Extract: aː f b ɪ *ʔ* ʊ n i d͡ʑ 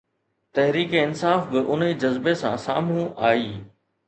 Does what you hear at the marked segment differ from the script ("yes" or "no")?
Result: no